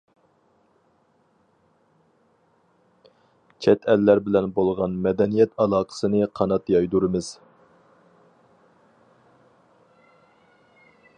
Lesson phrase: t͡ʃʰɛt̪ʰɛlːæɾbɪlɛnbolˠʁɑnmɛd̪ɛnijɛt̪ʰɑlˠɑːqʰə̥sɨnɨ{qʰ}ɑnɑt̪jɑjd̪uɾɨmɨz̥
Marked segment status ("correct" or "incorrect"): correct